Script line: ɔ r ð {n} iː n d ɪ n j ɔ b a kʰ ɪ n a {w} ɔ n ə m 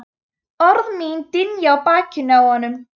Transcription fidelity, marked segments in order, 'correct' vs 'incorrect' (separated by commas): incorrect, correct